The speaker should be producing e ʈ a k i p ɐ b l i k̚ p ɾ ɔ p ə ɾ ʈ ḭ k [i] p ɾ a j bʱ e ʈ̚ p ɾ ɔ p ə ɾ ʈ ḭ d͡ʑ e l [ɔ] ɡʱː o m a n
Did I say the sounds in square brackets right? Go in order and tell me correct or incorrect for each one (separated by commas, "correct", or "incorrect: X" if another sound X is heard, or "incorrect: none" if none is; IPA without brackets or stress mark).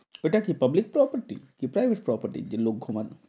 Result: correct, incorrect: o